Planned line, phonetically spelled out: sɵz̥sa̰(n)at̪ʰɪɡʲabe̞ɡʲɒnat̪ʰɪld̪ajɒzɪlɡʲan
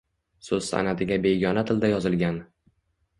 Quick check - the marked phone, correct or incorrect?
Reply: correct